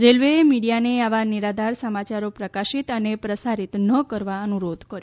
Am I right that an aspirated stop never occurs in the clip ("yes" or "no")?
yes